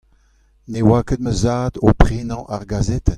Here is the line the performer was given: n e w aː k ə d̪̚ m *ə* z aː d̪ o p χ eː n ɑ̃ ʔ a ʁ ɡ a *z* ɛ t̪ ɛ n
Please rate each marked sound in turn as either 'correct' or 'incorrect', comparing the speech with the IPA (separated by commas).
correct, correct